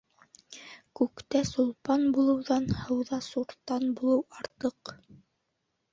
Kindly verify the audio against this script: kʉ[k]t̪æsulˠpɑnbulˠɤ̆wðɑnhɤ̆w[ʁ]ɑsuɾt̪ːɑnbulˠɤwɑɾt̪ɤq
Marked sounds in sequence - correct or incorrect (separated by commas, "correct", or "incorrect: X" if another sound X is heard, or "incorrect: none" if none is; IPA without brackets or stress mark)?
correct, incorrect: ð